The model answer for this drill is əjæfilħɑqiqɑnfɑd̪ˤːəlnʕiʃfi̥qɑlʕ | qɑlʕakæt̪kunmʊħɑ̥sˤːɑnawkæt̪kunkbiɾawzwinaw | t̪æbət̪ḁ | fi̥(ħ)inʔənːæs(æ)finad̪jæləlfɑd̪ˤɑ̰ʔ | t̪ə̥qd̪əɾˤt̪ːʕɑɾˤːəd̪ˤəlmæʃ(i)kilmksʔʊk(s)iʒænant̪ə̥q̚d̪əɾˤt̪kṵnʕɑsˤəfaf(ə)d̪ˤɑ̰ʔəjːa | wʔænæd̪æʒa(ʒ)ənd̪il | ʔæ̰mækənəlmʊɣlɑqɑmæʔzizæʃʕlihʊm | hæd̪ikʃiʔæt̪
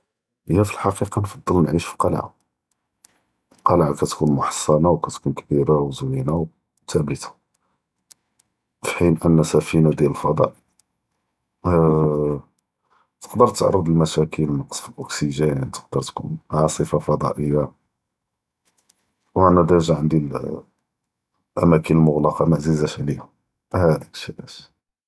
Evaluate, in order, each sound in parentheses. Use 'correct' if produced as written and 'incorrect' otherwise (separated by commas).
correct, correct, incorrect, correct, incorrect, incorrect